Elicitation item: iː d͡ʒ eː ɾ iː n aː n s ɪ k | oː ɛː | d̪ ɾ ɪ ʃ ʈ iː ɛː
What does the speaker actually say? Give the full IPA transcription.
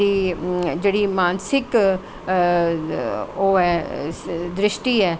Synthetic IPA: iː d͡ʒ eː ɽ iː m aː n s ɪ k | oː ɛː | d̪ ɾ ɪ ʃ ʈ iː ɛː